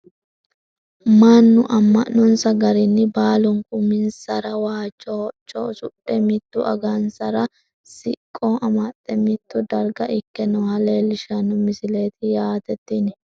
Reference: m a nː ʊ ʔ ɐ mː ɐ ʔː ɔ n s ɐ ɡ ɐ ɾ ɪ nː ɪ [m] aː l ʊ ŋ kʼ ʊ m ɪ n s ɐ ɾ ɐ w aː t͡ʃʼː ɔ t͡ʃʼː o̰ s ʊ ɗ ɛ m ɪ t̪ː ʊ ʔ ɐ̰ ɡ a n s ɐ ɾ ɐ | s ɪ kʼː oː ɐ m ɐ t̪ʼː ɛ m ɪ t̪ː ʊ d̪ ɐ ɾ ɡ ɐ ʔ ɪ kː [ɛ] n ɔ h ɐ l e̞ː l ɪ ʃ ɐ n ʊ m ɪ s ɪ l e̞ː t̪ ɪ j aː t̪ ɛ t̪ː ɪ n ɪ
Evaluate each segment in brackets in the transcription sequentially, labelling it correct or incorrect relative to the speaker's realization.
incorrect, correct

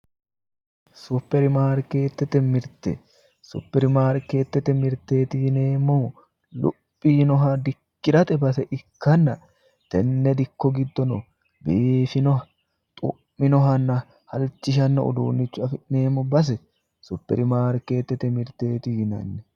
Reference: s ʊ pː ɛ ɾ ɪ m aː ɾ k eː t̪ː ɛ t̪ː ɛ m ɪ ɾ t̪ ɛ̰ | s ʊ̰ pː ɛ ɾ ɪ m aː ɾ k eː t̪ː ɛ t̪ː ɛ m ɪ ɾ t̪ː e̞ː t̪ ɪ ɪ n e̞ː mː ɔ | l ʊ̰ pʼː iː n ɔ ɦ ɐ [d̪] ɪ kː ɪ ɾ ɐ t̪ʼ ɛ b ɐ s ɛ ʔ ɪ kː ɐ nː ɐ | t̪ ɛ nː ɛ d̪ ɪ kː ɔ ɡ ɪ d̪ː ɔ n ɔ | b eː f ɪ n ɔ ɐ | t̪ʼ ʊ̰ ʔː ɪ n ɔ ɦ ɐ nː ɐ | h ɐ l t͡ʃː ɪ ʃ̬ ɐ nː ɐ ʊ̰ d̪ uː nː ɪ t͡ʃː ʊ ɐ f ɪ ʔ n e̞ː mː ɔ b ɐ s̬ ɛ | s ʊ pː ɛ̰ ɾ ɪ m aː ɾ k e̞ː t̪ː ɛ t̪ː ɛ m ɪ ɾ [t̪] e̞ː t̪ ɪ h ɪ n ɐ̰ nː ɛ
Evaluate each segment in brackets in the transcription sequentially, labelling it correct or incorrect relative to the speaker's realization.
correct, correct

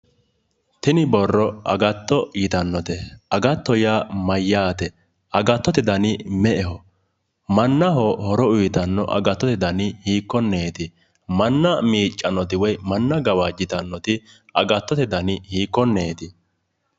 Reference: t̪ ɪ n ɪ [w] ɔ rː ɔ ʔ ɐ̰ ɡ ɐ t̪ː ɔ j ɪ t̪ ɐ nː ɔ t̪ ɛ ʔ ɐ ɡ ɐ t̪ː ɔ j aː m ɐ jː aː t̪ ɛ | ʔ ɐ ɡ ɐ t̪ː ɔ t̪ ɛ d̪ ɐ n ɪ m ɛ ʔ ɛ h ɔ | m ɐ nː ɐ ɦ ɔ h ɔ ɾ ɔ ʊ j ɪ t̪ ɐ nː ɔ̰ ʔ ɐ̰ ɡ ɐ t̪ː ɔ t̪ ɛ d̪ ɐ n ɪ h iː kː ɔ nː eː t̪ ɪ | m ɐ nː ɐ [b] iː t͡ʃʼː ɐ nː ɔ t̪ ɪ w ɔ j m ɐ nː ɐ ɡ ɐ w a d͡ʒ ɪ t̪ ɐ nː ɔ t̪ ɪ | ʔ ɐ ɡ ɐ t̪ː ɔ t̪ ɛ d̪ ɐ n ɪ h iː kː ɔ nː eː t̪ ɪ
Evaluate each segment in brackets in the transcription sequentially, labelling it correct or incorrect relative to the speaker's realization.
incorrect, incorrect

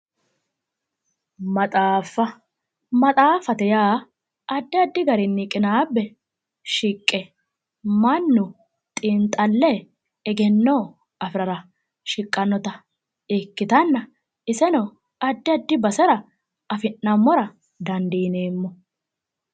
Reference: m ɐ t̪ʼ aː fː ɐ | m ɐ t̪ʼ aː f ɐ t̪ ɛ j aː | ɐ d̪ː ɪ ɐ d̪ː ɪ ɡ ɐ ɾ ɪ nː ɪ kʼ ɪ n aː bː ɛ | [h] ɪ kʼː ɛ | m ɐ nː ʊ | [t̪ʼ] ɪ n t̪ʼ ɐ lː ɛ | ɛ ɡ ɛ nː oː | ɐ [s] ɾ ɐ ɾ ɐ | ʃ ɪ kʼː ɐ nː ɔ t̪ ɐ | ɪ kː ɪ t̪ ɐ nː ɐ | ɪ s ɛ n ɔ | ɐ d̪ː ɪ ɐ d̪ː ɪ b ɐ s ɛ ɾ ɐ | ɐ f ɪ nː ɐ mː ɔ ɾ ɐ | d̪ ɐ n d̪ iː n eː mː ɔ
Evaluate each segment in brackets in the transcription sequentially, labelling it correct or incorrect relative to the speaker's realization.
incorrect, correct, incorrect

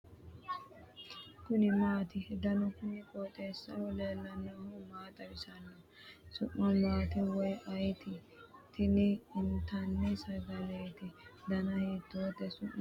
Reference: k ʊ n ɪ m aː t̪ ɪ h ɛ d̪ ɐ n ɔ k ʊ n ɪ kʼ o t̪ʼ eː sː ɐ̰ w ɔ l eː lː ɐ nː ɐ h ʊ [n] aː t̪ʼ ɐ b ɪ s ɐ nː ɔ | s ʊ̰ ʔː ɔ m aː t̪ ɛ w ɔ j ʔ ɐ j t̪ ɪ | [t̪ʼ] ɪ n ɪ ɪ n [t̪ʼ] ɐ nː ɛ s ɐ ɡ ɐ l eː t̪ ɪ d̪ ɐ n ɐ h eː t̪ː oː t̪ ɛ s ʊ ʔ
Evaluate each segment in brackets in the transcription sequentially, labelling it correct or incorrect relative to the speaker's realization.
incorrect, incorrect, incorrect

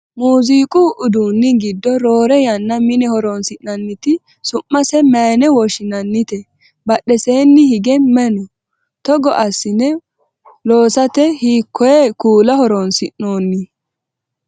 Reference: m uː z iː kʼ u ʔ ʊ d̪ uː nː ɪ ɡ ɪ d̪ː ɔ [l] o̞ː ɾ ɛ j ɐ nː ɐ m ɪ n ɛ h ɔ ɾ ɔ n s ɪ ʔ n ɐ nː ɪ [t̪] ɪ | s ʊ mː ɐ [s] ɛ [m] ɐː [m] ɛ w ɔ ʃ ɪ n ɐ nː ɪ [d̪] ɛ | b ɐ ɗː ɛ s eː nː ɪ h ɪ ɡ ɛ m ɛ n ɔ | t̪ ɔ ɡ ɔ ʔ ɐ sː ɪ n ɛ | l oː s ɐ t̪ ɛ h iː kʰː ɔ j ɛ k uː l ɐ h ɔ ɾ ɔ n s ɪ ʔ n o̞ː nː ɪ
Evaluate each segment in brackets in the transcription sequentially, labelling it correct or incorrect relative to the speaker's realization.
incorrect, correct, correct, correct, incorrect, incorrect

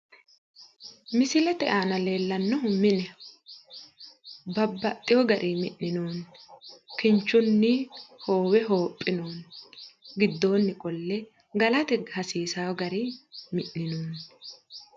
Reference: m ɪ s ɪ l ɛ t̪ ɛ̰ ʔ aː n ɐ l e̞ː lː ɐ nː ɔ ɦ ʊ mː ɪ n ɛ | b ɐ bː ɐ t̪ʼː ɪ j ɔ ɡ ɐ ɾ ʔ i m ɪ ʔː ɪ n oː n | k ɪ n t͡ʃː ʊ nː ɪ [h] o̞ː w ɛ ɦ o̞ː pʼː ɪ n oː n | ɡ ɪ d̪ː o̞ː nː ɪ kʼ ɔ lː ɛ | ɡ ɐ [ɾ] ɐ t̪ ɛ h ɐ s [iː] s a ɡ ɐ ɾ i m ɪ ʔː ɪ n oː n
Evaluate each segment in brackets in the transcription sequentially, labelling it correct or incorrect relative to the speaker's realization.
correct, incorrect, correct

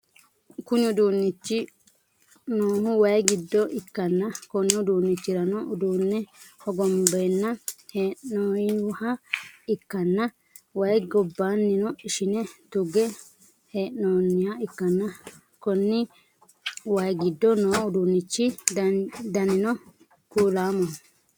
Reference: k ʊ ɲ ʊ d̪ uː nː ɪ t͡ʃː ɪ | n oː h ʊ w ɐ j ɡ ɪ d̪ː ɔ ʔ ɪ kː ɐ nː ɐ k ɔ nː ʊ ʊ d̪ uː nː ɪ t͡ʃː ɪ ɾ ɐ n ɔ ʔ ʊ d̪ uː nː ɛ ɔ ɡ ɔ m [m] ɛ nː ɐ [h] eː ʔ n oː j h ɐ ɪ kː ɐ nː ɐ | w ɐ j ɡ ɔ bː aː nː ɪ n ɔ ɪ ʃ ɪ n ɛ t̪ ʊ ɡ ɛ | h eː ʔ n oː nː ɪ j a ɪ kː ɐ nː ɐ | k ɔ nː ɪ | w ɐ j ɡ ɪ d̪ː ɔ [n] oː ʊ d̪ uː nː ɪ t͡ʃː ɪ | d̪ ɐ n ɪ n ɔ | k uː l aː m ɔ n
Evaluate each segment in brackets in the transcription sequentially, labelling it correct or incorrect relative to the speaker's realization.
incorrect, correct, correct

